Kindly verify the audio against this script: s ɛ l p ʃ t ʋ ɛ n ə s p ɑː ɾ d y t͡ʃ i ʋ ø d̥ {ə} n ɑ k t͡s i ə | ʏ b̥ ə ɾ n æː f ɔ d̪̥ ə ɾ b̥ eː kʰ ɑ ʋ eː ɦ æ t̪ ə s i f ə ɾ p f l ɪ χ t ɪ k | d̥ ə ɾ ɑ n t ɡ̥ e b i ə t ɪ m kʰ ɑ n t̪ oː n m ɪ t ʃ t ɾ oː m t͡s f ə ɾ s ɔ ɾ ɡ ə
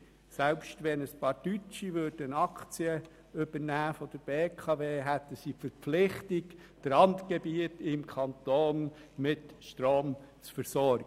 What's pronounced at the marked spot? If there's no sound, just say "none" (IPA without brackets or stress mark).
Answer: ə